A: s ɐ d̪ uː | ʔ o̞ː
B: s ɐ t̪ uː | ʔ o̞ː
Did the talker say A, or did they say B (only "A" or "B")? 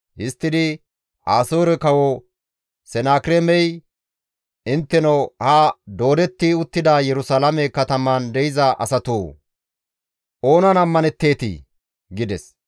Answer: B